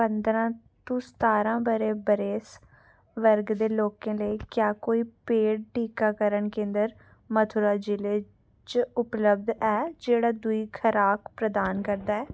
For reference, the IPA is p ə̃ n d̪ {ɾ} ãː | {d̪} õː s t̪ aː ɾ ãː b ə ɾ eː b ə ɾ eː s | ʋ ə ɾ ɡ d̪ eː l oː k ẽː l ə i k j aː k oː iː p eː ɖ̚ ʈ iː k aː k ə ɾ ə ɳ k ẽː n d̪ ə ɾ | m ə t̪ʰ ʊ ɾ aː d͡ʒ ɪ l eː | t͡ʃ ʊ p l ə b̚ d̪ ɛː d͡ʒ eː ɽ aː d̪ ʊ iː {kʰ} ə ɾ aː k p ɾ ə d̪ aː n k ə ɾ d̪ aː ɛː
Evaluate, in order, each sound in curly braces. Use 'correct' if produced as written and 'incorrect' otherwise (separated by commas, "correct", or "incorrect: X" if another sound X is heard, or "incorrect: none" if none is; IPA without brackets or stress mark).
correct, incorrect: t̪, correct